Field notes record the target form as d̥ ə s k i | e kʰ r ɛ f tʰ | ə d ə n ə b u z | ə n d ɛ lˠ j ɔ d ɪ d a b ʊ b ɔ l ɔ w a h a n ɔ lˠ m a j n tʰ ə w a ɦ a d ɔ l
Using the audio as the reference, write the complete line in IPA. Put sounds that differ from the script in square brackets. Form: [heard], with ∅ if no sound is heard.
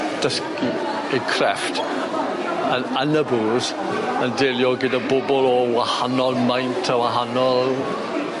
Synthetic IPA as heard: d̥ ə s k i | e kʰ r ɛ f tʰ | ə [n] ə n ə b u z | ə n d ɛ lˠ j ɔ [ɡ] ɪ d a b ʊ b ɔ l ɔ w a h a n ɔ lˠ m a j n tʰ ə w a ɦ a [n] ɔ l